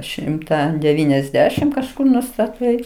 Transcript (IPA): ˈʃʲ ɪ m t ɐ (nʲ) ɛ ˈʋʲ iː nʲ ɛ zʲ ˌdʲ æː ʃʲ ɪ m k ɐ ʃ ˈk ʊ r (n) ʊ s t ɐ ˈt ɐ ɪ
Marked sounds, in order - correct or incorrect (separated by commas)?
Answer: incorrect, correct